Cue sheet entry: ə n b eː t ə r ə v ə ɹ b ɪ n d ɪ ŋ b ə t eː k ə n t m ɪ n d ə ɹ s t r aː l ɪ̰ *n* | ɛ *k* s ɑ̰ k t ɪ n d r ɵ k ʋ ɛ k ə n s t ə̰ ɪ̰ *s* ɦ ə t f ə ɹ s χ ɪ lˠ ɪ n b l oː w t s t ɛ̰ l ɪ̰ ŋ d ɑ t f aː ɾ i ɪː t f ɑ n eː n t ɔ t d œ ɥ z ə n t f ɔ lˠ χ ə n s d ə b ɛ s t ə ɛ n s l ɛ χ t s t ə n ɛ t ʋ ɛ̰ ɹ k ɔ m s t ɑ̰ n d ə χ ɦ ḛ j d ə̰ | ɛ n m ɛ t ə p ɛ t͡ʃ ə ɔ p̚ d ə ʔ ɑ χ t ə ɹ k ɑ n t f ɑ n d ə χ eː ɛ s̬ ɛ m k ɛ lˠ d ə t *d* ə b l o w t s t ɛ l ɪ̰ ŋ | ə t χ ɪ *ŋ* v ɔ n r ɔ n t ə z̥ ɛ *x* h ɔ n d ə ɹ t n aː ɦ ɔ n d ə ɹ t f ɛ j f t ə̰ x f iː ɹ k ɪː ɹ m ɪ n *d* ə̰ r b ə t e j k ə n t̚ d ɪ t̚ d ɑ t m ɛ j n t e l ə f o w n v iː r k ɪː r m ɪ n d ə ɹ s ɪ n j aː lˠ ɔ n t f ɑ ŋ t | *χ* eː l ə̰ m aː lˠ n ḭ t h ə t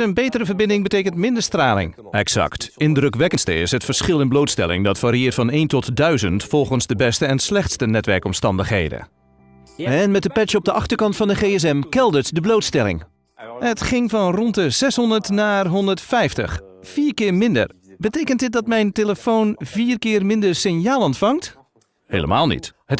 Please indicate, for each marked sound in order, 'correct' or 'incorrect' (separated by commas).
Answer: incorrect, correct, correct, correct, correct, incorrect, correct, incorrect